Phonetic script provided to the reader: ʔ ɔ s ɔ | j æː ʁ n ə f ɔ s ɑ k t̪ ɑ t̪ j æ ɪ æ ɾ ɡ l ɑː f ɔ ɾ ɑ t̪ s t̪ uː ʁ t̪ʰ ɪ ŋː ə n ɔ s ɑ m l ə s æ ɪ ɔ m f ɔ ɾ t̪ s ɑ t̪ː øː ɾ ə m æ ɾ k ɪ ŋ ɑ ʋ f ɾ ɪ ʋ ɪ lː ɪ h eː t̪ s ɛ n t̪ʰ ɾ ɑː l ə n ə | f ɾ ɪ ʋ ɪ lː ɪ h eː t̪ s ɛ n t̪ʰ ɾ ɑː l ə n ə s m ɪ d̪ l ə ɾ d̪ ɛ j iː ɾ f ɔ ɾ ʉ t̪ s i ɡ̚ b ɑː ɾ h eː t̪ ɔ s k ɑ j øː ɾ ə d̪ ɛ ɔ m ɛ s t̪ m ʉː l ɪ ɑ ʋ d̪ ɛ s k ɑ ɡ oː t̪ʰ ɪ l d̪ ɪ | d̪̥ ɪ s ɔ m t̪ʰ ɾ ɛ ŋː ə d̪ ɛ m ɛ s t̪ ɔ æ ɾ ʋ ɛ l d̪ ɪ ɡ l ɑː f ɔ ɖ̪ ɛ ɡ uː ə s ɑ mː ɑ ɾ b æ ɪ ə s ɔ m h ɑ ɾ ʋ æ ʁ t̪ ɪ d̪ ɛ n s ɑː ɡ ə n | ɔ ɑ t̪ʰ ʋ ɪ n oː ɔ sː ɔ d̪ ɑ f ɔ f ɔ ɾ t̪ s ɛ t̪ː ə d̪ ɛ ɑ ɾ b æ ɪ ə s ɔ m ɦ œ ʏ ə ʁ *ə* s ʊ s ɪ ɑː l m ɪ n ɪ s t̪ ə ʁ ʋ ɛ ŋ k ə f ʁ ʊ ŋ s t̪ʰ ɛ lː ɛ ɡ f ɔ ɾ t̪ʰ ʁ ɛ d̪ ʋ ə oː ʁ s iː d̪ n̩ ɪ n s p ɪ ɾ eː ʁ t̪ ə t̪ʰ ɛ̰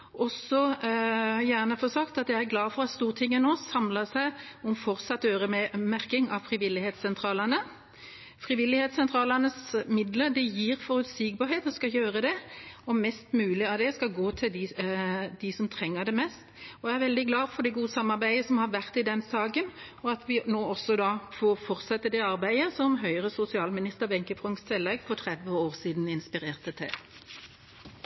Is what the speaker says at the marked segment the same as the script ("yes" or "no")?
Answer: yes